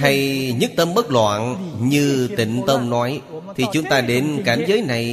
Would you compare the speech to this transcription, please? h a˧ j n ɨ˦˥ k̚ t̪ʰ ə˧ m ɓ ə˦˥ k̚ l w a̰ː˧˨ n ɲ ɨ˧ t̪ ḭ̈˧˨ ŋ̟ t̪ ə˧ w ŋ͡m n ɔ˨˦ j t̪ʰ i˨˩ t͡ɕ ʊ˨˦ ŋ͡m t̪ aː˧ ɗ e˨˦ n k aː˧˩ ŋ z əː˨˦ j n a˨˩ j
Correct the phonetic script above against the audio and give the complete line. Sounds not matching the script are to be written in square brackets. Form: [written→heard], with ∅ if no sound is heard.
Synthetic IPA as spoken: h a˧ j [n→ɲ] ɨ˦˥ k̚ [t̪ʰ→t̪] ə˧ m ɓ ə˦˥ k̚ l w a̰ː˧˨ n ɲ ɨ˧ t̪ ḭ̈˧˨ ŋ̟ t̪ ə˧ w ŋ͡m n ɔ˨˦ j t̪ʰ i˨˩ t͡ɕ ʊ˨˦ ŋ͡m t̪ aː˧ ɗ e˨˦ n k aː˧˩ [ŋ→m] z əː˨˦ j n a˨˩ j